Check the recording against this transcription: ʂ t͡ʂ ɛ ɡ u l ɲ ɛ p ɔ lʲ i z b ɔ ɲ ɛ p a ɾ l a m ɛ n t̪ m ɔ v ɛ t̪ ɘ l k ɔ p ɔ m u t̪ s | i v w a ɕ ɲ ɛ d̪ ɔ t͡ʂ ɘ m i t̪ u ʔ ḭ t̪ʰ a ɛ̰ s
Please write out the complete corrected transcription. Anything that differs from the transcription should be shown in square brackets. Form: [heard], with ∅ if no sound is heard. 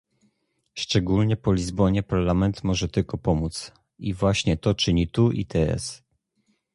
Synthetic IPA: ʂ t͡ʂ ɛ ɡ u l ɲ ɛ p ɔ lʲ i z b ɔ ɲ ɛ p a ɾ l a m ɛ n t̪ m ɔ [ʐ] ɛ t̪ ɘ l k ɔ p ɔ m u t̪ s | i v w a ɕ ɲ ɛ [t̪] ɔ t͡ʂ ɘ [ɲ] i t̪ u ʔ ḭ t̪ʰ [ɛ] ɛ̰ s